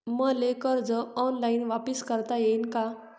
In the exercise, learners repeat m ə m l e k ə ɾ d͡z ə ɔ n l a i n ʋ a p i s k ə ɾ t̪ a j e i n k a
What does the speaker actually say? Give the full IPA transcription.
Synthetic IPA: m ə l e k ə ɾ d͡z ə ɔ n l a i n ʋ a p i s k ə ɾ t̪ a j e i n k a